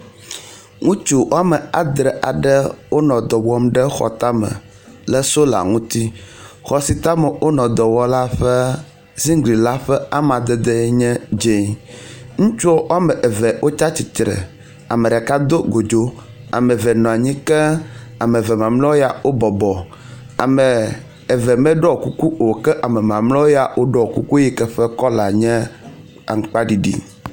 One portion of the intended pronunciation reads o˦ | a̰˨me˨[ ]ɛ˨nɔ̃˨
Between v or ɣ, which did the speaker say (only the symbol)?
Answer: v